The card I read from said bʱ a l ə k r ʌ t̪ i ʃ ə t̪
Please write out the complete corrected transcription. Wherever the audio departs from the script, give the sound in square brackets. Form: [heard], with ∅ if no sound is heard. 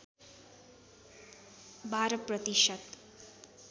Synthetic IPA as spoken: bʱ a [ɾ] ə [p] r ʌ t̪ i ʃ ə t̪